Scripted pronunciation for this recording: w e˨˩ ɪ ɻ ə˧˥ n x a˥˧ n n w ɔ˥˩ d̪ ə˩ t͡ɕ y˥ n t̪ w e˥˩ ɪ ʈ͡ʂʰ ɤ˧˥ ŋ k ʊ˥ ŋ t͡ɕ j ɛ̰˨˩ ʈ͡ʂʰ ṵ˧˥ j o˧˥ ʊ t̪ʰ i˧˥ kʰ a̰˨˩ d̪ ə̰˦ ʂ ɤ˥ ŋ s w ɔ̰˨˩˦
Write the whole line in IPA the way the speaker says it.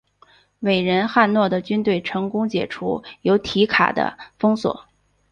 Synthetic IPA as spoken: w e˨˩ ɪ ɻ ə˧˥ n x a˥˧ n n w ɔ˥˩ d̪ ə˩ t͡ɕ y˥ n t̪ w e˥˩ ɪ ʈ͡ʂʰ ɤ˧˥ ŋ k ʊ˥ ŋ t͡ɕ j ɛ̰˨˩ ʈ͡ʂʰ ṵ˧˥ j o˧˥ ʊ t̪ʰ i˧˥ kʰ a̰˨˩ d̪ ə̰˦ f ɤ˥ ŋ s w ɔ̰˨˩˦